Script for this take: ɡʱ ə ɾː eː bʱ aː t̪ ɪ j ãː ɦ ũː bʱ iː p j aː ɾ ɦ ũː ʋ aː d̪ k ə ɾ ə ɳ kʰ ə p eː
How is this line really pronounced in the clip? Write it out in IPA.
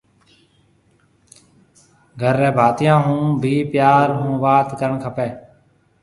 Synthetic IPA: ɡʱ ə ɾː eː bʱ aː t̪ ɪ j ãː ɦ ũː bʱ iː p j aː ɾ ɦ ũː ʋ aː t̪ k ə ɾ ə ɳ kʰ ə p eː